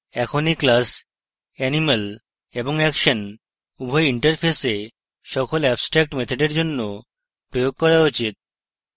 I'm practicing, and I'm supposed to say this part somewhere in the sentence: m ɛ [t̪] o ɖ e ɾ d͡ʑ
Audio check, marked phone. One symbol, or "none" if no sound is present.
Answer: t̪ʰ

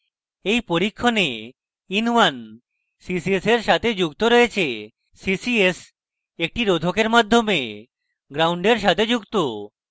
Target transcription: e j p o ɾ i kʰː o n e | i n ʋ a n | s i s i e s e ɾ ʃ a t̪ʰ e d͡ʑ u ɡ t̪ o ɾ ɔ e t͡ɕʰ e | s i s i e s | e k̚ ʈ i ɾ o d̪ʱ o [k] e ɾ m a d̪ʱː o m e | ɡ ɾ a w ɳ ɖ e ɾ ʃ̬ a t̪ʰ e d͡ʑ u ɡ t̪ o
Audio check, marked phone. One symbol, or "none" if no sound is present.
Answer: k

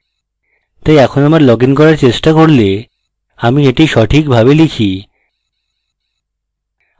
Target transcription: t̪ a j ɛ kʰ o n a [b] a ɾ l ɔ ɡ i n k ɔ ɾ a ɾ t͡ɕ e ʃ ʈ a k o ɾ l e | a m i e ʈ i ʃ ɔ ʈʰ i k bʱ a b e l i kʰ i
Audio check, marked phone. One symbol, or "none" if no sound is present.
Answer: m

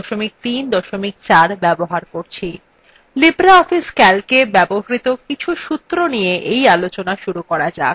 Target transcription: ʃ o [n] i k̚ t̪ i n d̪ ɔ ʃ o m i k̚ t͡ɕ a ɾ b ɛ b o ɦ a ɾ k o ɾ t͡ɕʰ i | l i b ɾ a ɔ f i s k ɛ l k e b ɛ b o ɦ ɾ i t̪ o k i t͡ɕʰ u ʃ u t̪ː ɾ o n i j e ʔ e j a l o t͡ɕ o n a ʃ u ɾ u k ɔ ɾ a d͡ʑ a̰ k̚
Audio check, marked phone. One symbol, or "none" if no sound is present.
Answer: m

